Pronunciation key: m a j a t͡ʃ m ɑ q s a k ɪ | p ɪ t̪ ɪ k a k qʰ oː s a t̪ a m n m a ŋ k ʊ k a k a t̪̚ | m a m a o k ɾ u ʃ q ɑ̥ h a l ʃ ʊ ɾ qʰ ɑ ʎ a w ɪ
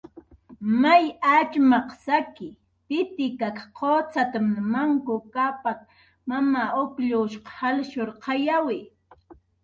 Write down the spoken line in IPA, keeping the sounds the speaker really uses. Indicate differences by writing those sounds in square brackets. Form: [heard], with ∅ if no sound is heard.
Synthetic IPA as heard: m a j a t͡ʃ m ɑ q s a k ɪ | p ɪ t̪ ɪ k a k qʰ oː [t͡s] a t̪ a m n m a ŋ k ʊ k a [p] a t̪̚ | m a m a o k [ʎ] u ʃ q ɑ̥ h a l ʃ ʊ ɾ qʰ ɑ [j] a w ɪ